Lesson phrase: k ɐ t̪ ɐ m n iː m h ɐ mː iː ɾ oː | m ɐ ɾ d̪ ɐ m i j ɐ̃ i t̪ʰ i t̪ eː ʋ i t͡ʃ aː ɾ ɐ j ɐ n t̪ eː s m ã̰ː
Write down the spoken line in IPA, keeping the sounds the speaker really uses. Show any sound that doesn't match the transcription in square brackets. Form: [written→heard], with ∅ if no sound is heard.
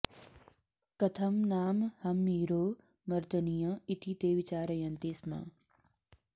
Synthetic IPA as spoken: k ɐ [t̪→t̪ʰ] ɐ m n [iː→aː] m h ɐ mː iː ɾ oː | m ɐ ɾ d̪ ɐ [m→n] i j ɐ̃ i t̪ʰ i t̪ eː ʋ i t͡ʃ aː ɾ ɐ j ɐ n t̪ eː s m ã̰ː